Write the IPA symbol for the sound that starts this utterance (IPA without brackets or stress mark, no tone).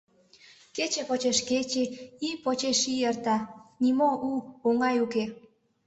k